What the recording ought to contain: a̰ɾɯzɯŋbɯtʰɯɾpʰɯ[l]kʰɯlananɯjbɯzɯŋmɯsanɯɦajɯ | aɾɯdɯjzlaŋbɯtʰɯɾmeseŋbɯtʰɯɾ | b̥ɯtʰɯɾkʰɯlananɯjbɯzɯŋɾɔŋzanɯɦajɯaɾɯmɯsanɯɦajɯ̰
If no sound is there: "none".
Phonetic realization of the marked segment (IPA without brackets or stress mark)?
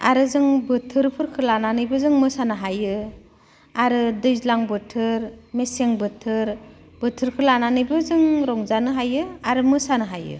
ɾ